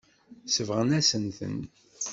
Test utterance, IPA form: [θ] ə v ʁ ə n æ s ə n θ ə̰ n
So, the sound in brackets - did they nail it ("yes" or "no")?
no